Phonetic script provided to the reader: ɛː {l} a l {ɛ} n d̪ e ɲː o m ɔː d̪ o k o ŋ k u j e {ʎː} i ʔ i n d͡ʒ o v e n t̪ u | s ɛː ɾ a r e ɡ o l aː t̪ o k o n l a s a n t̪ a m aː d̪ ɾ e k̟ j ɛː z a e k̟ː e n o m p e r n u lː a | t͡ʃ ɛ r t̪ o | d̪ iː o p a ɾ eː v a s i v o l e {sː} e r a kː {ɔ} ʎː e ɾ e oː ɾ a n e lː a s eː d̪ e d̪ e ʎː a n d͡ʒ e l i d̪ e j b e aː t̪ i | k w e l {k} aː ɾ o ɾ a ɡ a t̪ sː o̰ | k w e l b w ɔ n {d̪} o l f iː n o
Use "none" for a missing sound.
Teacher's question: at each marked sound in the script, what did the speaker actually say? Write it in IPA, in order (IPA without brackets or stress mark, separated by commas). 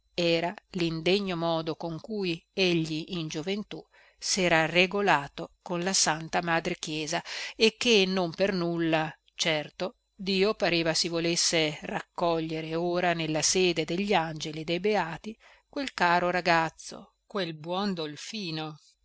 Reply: ɾ, i, ʎː, sː, ɔ, k, d̪